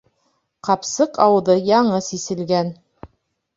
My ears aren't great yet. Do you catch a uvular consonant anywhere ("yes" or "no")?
yes